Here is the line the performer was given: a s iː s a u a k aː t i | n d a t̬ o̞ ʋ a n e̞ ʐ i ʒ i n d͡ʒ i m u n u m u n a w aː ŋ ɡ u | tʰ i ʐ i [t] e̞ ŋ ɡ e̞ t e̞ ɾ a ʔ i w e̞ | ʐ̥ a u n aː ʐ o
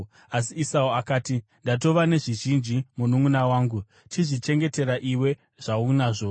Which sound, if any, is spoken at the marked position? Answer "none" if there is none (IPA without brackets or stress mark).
t͡ʃ